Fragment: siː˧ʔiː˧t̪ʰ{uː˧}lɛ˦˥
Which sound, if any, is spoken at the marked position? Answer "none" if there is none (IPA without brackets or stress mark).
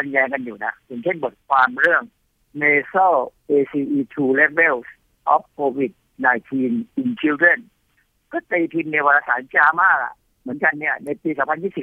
uː˧